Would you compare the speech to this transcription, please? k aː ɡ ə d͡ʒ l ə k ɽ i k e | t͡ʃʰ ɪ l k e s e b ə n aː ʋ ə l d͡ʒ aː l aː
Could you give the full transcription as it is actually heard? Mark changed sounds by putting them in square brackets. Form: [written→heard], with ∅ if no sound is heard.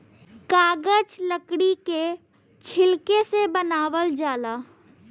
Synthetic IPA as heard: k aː ɡ ə d͡ʒ l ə k ɽ i k e | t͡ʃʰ ɪ l k e s e b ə n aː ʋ ə l d͡ʒ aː l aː

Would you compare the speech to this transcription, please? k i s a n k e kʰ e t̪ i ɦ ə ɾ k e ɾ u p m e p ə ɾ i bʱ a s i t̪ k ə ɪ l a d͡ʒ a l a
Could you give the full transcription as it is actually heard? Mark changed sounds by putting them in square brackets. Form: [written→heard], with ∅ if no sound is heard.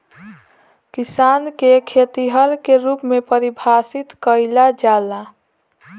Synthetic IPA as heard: k i s a n k e kʰ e t̪ i ɦ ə ɾ k e ɾ u p m e p ə ɾ i bʱ a s i t̪ k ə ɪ l a d͡ʒ a l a

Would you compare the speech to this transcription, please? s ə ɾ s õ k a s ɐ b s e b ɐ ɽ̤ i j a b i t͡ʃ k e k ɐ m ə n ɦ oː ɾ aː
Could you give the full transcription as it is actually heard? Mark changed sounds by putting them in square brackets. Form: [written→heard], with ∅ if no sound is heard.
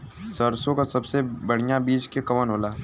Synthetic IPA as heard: s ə ɾ s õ k a s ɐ b s e b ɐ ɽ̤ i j a b [i→iː] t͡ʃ k e k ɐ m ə n ɦ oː [ɾ→l] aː

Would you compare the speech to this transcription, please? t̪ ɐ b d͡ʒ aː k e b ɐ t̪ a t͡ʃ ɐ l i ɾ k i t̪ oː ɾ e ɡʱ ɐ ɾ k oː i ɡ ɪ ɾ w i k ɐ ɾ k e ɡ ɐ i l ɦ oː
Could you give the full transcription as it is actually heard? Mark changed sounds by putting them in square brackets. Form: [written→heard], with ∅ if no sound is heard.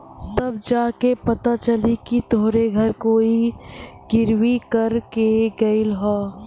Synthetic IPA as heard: t̪ ɐ b d͡ʒ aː k e [b→p] ɐ t̪ a t͡ʃ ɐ l i [ɾ→∅] k i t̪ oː ɾ e ɡʱ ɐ ɾ k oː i ɡ ɪ ɾ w i k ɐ ɾ k e ɡ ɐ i l ɦ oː

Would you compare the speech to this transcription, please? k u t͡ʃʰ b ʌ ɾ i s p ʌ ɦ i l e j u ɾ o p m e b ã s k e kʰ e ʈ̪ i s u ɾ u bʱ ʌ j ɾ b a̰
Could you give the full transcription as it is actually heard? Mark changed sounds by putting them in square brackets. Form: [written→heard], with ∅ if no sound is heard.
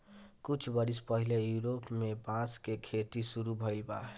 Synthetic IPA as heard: k u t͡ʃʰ b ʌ ɾ i s p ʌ ɦ i l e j u ɾ o p m e b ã s k e kʰ e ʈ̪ i s u ɾ u bʱ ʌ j [ɾ→l] b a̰

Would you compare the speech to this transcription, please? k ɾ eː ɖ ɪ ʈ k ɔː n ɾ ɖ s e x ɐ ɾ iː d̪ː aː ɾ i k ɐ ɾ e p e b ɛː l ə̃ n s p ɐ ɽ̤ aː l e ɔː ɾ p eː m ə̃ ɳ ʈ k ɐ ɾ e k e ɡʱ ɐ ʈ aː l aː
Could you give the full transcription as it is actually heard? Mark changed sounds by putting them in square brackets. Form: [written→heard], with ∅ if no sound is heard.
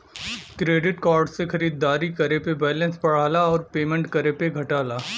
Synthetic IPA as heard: k ɾ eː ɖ ɪ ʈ k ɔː [n→∅] ɾ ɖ s e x ɐ ɾ iː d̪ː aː ɾ i k ɐ ɾ e p e b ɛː l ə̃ n s p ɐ ɽ̤ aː l [e→a] ɔː ɾ p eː m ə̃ ɳ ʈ k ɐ ɾ e [k→p] e ɡʱ ɐ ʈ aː l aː

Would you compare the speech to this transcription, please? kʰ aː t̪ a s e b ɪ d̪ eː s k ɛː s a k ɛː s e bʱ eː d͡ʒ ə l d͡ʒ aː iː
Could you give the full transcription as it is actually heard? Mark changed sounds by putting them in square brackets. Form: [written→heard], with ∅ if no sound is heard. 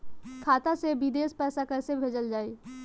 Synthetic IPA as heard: kʰ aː t̪ a s e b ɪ d̪ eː s [k→p] ɛː s a k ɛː s e bʱ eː d͡ʒ ə l d͡ʒ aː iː

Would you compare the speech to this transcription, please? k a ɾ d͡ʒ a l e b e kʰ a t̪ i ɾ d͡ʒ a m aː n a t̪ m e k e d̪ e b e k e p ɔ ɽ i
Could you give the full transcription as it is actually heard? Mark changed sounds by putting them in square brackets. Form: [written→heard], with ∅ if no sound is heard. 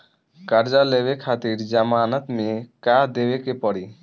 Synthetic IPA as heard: k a ɾ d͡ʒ a l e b e kʰ a t̪ i ɾ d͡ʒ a m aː n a t̪ m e k [e→a] d̪ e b e k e p ɔ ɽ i

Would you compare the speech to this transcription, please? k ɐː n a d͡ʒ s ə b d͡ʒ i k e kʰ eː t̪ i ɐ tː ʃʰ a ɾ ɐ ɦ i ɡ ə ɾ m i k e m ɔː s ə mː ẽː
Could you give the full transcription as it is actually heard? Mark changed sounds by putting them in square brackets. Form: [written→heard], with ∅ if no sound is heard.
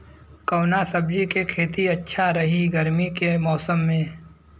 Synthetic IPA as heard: k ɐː n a [d͡ʒ→∅] s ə b d͡ʒ i k e kʰ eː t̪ i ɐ tː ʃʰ a ɾ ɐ ɦ i ɡ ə ɾ m i k e m ɔː s ə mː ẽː

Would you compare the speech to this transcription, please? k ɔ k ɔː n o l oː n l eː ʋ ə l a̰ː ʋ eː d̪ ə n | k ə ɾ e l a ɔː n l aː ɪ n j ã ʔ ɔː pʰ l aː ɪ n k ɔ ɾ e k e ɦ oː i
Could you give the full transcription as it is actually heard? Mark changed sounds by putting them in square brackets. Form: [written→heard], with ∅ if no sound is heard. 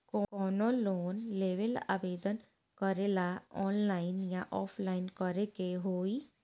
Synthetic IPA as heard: k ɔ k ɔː n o l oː n l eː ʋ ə l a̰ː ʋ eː d̪ ə n | k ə ɾ e l a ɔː n l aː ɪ n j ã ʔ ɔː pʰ l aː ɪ n k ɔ ɾ e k e ɦ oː i

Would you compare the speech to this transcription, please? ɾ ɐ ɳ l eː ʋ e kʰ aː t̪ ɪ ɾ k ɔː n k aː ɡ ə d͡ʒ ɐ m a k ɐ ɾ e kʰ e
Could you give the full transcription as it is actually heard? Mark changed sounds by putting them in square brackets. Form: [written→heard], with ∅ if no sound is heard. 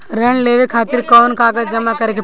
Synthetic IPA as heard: ɾ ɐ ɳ l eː ʋ e kʰ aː t̪ ɪ ɾ k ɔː n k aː ɡ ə d͡ʒ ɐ m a k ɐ ɾ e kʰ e

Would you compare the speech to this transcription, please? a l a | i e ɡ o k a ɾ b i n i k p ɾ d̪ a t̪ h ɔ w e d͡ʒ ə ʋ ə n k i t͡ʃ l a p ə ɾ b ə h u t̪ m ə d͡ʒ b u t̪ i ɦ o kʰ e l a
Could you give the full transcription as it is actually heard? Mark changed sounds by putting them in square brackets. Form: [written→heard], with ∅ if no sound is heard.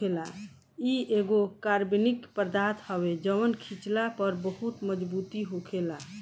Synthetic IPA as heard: [a→e] l a | i e ɡ o k a ɾ b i n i k p ɾ d̪ a t̪ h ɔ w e d͡ʒ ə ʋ ə n [k→kʰ] i t͡ʃ l a p ə ɾ b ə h u t̪ m ə d͡ʒ b u t̪ i ɦ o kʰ e l a

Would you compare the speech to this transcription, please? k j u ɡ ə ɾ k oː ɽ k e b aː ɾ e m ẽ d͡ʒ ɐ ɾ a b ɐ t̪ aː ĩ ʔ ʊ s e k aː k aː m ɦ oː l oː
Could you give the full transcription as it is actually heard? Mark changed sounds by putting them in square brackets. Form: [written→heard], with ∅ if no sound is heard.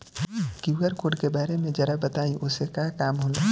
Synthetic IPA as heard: k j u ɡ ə ɾ k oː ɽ k e b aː ɾ e m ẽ d͡ʒ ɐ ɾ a b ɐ t̪ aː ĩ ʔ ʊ s e k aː k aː m ɦ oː l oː

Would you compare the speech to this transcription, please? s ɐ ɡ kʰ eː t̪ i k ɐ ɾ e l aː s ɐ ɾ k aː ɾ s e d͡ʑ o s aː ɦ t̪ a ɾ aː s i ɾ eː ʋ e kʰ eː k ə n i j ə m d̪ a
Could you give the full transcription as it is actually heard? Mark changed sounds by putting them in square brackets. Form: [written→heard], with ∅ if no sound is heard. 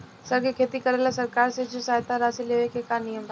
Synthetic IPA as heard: s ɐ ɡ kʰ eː t̪ i k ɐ ɾ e l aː s ɐ ɾ k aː ɾ s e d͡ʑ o s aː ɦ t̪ a ɾ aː s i [ɾ→l] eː ʋ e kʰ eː k [ə→a] n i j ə m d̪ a

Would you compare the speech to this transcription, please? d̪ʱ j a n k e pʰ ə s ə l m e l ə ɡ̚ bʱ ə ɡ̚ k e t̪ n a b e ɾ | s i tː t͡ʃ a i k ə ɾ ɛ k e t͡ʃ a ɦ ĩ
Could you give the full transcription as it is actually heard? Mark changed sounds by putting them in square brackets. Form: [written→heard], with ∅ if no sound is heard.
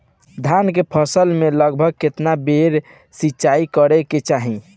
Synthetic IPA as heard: d̪ʱ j a n k e pʰ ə s ə l m e l ə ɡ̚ bʱ ə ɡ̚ k e t̪ n a b e ɾ | s i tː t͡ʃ a i k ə ɾ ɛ k e t͡ʃ a ɦ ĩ

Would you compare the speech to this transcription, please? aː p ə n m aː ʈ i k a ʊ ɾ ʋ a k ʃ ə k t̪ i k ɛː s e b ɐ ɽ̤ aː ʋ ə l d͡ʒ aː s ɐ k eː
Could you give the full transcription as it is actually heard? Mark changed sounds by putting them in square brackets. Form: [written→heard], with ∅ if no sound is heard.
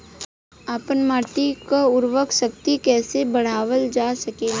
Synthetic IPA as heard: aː p ə n m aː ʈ i k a ʊ ɾ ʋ [a→ə] k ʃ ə k t̪ i k ɛː s e b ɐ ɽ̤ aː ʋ ə l d͡ʒ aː s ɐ k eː

